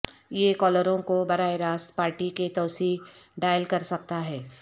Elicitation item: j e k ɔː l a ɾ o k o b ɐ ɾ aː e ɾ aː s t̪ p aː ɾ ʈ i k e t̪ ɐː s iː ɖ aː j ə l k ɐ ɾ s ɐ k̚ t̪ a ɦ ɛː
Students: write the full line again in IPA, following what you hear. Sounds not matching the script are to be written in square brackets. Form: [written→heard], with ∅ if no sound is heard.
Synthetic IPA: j e k ɔː l [a→ə] ɾ [o→õ] k o b ɐ ɾ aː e ɾ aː s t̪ p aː ɾ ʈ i k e t̪ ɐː s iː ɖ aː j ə l k ɐ ɾ s ɐ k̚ t̪ a ɦ ɛː